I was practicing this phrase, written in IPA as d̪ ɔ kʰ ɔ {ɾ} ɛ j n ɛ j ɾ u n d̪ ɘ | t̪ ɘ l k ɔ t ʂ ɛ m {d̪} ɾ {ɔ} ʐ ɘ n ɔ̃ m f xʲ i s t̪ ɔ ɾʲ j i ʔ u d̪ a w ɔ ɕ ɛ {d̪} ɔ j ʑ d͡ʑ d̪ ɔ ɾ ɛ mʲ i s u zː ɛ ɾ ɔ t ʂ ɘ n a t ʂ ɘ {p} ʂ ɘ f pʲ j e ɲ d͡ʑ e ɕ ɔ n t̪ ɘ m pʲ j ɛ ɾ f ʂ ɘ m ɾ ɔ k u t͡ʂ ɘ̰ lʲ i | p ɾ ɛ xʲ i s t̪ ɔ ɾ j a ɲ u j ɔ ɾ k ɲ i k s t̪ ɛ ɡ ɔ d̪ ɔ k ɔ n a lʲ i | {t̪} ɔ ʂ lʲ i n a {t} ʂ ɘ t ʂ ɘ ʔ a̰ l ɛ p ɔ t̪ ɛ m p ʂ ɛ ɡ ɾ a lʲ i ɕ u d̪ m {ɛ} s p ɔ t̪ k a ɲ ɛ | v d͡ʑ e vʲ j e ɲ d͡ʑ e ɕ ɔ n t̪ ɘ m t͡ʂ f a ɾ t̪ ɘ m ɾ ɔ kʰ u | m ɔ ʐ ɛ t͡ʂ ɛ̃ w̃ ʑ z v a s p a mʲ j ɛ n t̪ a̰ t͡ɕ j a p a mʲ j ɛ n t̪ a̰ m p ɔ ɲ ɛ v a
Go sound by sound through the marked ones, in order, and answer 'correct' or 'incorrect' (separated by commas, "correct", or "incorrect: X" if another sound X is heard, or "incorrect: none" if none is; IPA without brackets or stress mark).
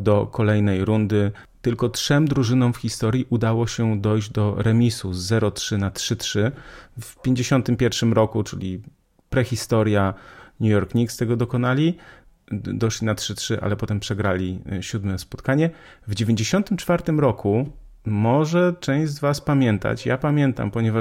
incorrect: l, correct, incorrect: u, correct, incorrect: t, incorrect: d̪, correct, correct